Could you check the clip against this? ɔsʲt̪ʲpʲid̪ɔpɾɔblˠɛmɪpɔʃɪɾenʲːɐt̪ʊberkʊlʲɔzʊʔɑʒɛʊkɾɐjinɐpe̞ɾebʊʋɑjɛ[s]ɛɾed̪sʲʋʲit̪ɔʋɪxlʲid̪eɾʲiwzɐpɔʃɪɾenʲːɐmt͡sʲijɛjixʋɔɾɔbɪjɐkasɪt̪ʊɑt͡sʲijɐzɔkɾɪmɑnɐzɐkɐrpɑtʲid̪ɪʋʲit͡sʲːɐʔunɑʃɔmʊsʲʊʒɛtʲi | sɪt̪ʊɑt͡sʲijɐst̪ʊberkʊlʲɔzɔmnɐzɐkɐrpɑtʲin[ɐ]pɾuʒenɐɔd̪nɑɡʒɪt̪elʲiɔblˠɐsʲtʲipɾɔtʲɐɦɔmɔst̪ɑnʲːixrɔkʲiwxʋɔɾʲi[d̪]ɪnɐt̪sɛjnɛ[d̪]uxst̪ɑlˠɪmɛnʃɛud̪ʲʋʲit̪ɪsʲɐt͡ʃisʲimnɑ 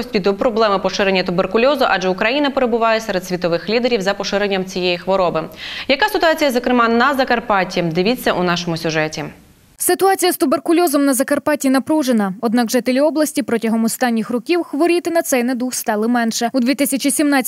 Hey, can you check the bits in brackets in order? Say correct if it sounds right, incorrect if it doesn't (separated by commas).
correct, correct, incorrect, correct